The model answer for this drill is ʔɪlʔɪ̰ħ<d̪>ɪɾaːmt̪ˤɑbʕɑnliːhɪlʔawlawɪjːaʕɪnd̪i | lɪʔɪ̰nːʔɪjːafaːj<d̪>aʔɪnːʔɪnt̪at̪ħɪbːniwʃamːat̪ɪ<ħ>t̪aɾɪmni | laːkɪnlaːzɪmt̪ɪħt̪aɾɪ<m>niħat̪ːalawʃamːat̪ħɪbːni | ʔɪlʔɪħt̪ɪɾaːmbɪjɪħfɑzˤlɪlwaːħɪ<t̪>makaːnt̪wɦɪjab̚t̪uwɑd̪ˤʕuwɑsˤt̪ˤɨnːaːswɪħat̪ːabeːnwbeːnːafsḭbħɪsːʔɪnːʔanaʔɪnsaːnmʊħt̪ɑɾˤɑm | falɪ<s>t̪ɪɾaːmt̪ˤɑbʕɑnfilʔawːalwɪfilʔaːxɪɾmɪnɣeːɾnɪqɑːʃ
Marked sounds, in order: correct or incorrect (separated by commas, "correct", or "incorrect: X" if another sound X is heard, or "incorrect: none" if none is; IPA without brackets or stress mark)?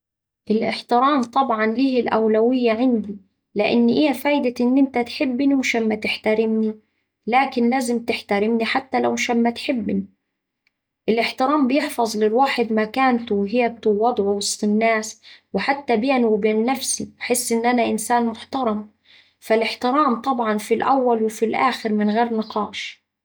incorrect: t̪, correct, correct, correct, incorrect: d̪, incorrect: ħ